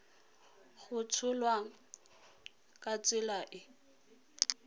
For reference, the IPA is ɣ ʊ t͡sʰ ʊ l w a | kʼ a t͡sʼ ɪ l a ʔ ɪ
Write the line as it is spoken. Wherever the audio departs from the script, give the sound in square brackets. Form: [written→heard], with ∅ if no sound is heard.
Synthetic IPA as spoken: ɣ ʊ t͡sʰ ʊ l w a | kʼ a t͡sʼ ɪ l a ʔ ɪ